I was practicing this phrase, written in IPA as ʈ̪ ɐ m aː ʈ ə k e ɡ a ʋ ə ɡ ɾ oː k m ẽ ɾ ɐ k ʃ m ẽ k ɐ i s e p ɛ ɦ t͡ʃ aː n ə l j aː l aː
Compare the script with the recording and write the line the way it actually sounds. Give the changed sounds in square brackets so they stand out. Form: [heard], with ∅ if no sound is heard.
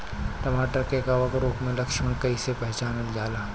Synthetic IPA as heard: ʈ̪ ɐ m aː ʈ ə k e ɡ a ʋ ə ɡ ɾ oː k m ẽ [l] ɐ k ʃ m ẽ k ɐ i s e p ɛ ɦ t͡ʃ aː n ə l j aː l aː